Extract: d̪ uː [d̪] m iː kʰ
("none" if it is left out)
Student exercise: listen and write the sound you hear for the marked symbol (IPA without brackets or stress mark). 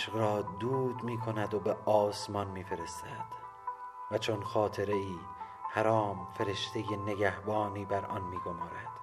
d̪